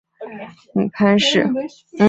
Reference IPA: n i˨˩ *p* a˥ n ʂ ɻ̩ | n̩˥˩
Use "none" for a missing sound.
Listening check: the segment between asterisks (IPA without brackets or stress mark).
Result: pʰ